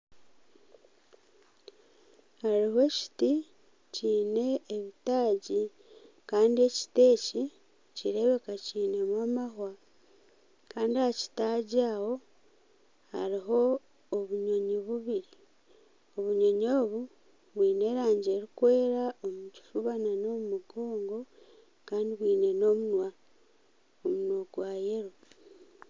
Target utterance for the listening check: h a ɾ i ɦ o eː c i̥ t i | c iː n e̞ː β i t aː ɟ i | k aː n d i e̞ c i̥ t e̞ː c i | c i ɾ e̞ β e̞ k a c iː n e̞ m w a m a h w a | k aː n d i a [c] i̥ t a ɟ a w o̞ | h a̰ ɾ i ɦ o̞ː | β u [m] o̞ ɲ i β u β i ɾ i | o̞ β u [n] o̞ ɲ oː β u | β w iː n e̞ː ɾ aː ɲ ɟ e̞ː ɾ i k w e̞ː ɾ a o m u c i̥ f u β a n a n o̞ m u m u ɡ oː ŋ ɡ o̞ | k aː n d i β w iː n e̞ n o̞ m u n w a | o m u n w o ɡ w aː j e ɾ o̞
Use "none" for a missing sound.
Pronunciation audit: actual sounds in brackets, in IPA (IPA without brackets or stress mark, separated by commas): c, ɲ, ɲ